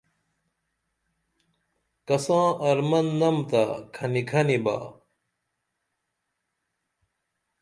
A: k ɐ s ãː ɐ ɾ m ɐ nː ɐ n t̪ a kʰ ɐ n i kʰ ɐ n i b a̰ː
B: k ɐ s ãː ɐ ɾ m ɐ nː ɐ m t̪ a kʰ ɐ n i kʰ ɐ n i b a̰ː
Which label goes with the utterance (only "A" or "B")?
B